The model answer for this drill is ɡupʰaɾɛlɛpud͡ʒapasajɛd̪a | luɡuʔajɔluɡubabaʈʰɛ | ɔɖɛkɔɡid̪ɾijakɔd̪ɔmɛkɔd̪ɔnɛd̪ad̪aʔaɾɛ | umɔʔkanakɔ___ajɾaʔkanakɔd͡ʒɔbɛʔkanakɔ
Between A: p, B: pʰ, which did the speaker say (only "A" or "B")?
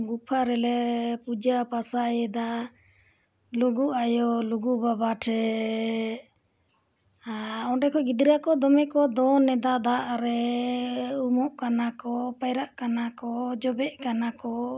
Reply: A